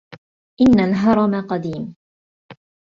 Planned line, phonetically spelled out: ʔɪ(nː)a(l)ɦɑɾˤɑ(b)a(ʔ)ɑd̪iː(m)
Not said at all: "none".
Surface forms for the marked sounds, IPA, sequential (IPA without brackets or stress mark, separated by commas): nː, l, m, q, m